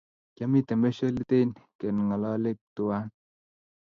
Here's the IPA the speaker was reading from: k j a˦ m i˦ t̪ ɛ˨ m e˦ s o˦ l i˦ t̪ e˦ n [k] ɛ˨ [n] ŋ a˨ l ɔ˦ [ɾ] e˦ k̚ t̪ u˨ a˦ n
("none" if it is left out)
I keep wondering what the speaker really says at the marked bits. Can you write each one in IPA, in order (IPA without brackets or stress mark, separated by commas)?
k, n, l